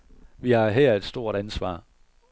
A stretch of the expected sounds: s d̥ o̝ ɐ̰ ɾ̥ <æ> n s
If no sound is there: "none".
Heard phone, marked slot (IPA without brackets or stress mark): æ